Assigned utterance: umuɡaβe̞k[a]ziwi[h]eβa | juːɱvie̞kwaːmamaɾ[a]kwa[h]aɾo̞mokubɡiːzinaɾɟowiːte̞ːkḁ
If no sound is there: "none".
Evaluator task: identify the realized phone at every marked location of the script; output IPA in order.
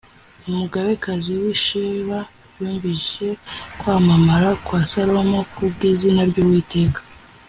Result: a, ʃ, a, s

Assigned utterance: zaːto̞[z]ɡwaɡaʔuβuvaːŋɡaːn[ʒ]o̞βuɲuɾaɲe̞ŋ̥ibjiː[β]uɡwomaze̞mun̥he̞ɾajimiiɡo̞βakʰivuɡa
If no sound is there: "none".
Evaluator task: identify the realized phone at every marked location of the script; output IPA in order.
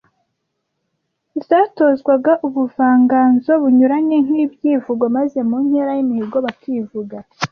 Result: z, z, v

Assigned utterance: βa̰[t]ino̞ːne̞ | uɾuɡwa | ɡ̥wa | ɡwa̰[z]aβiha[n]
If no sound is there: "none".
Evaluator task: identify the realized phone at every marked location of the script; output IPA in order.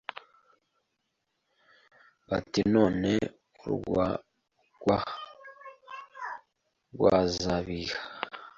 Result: t, z, none

